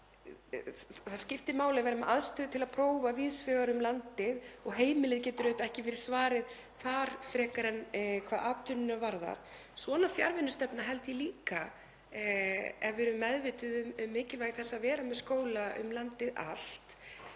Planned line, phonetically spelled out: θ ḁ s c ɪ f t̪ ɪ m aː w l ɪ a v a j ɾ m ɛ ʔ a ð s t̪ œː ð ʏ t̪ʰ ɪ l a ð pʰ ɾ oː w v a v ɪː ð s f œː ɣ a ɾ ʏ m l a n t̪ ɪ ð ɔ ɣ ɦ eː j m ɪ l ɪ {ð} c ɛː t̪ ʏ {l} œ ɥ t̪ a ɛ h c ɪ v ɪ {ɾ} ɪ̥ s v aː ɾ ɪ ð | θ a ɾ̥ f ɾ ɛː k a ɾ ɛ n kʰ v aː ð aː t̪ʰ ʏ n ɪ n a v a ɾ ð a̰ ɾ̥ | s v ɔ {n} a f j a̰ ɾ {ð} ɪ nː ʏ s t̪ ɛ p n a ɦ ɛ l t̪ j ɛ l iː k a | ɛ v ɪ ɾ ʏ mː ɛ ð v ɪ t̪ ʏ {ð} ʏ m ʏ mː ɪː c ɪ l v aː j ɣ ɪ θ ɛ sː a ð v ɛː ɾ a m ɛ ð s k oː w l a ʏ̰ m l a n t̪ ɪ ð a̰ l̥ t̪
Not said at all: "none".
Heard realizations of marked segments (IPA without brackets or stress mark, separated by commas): ð, ɾ, ɾ, n, v, ð